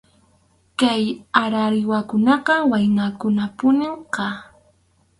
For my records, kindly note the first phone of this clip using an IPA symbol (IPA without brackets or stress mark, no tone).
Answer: k